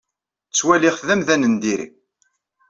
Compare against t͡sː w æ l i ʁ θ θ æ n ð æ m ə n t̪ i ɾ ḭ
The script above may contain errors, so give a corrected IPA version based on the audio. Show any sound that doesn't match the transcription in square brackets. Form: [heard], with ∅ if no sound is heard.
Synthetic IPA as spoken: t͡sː w æ l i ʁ θ [ð] æ [m] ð æ [n] ə n [d̪] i ɾ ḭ